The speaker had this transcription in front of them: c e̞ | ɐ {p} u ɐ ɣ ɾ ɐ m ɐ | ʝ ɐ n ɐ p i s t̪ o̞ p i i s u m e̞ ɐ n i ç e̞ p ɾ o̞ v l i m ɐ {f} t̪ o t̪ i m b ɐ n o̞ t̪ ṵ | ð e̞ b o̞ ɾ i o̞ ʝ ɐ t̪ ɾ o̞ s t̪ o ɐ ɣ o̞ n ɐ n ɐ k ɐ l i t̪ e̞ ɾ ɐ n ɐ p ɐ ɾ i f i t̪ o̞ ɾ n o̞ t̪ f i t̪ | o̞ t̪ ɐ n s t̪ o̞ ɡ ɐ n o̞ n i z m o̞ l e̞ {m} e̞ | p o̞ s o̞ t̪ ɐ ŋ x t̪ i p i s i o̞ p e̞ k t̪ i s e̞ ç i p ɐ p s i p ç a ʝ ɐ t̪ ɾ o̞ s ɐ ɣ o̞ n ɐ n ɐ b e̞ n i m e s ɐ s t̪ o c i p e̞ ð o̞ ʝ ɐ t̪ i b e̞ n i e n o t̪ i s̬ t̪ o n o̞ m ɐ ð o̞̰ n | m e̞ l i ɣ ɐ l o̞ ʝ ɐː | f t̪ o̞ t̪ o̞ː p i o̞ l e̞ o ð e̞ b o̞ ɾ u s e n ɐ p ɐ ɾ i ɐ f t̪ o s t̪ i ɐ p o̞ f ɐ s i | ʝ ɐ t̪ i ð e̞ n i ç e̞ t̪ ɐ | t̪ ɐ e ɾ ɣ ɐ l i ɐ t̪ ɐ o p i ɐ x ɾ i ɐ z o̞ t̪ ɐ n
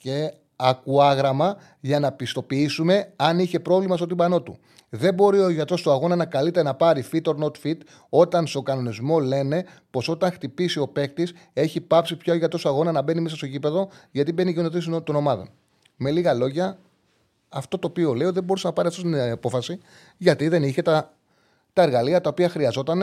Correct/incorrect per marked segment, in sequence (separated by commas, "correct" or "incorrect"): incorrect, incorrect, incorrect